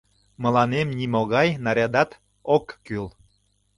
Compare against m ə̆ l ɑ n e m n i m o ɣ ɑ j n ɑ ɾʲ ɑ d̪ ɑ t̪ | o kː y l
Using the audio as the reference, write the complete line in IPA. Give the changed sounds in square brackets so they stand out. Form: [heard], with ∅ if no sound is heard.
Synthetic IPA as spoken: m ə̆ l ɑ n e m n i m o ɣ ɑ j n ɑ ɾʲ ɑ d̪ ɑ t̪ | o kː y l